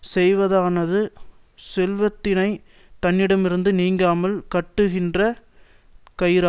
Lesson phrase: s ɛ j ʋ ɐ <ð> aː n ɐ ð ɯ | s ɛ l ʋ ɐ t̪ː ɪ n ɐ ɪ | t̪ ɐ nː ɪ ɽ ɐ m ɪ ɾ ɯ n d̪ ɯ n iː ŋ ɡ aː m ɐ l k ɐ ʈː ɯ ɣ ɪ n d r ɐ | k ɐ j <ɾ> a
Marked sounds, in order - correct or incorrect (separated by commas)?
correct, correct